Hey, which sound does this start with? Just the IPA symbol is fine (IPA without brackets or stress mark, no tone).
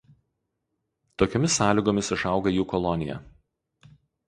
t̪